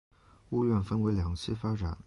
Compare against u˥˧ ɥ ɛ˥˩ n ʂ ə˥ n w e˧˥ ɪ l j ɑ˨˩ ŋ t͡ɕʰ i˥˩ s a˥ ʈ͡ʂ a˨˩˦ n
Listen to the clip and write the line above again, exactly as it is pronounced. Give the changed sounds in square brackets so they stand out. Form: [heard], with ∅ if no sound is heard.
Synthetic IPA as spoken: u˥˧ ɥ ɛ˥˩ n [f] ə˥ n w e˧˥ ɪ l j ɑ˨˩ ŋ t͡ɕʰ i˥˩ [f] a˥ ʈ͡ʂ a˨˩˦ n